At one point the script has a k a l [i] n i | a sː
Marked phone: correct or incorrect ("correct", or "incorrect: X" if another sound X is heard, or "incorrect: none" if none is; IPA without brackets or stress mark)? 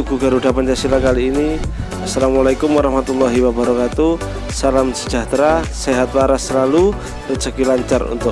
incorrect: iː